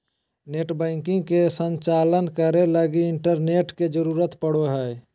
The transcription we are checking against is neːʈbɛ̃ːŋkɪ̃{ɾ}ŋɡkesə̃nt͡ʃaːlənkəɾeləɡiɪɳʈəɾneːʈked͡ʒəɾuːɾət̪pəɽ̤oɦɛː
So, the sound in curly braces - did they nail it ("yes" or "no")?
no